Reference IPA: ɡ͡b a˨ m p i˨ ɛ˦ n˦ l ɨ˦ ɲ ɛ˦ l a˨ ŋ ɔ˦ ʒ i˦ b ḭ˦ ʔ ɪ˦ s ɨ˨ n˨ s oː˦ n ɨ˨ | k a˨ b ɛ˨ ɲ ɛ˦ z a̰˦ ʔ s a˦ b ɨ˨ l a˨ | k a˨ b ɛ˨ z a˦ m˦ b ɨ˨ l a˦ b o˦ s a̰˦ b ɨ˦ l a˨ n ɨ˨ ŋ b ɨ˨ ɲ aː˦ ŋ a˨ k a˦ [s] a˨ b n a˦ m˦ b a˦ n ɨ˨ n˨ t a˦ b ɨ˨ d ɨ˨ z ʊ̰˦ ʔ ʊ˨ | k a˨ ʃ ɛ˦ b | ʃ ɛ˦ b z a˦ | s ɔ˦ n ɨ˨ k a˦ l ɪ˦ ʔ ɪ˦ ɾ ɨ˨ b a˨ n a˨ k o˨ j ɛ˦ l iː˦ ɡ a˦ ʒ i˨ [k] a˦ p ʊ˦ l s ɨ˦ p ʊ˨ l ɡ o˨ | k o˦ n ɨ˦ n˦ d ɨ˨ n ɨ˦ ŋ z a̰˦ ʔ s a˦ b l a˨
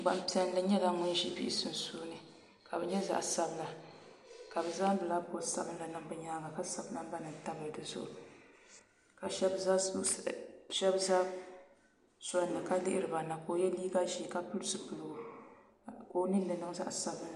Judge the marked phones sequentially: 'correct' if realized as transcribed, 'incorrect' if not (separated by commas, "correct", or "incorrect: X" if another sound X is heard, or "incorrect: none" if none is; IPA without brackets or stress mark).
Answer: correct, correct